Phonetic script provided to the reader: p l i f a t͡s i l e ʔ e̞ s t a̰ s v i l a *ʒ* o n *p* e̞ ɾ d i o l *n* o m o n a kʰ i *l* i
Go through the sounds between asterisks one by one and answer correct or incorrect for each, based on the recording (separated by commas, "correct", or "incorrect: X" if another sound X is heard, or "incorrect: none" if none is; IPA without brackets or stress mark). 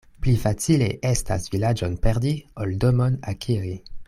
incorrect: d͡ʒ, correct, incorrect: d, incorrect: ɾ